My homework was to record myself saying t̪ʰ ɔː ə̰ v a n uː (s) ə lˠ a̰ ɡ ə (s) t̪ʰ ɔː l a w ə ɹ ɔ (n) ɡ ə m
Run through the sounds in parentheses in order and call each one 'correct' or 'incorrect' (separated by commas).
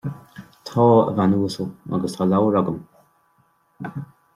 correct, correct, incorrect